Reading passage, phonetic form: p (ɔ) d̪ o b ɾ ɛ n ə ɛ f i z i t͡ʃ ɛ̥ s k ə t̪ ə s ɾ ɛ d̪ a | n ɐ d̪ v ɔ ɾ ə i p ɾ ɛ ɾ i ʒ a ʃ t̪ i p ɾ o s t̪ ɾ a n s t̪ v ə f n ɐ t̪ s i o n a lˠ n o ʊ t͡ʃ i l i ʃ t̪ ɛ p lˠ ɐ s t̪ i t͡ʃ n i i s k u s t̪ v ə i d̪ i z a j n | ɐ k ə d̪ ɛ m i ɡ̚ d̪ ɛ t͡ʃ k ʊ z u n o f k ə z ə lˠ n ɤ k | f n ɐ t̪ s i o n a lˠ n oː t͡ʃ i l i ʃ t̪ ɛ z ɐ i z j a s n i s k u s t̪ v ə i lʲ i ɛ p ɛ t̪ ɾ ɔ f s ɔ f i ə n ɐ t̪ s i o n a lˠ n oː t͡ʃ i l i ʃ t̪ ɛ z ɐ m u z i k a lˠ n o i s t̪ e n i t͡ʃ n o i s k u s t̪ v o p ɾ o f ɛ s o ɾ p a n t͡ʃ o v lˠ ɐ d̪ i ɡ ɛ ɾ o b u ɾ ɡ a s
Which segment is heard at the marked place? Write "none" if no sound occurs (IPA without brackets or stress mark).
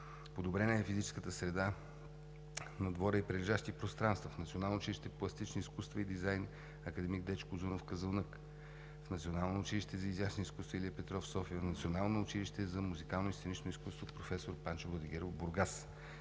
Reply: o